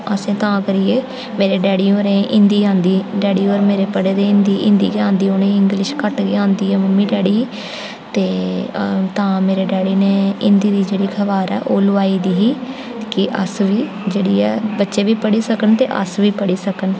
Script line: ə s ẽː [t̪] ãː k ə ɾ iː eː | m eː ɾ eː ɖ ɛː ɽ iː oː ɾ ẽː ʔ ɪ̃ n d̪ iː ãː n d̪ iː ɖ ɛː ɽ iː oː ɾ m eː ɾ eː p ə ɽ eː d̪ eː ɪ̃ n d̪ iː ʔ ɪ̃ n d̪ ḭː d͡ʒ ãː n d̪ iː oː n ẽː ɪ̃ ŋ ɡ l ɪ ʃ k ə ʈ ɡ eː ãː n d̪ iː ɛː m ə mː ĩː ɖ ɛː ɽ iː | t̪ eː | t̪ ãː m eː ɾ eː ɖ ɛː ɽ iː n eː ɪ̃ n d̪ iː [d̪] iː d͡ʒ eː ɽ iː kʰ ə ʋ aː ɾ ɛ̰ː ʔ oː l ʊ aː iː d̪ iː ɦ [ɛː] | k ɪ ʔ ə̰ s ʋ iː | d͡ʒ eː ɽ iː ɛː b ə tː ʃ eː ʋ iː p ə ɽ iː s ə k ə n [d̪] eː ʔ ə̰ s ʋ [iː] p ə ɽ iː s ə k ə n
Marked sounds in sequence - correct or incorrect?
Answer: correct, correct, incorrect: iː, incorrect: t̪, correct

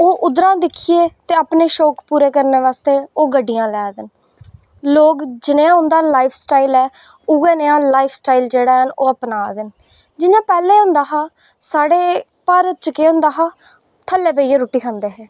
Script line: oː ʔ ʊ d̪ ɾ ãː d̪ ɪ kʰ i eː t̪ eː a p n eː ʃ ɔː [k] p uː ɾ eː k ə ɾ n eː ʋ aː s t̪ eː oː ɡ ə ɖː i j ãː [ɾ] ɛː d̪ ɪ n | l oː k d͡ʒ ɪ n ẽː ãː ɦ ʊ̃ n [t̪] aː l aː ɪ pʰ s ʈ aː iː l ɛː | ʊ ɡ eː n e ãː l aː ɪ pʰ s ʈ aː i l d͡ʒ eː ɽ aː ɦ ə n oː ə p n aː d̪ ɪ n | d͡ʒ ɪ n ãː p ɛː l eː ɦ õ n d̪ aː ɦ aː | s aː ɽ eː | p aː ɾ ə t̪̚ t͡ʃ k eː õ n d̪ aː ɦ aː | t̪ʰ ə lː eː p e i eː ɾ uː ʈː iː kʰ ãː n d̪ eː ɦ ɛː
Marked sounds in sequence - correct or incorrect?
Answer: correct, incorrect: l, incorrect: d̪

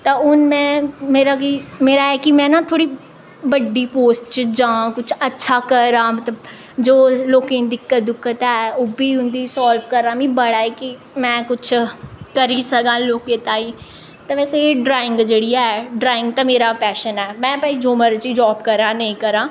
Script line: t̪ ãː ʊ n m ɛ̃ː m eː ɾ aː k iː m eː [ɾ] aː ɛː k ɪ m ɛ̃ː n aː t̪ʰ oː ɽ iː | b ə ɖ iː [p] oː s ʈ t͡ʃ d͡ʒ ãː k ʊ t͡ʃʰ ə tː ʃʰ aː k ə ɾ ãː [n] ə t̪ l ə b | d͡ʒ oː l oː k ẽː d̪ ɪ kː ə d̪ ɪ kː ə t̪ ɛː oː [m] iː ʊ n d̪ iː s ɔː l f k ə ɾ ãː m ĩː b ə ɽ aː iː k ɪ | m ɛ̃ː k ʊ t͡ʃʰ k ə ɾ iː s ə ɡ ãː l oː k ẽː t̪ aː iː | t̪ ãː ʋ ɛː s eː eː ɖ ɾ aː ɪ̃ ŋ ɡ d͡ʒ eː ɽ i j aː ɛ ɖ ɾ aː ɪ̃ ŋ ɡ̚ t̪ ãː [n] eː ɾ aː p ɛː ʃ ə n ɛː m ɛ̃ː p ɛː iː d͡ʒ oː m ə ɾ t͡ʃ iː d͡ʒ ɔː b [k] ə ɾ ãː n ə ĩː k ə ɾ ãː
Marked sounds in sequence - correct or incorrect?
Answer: correct, correct, incorrect: m, incorrect: b, incorrect: m, correct

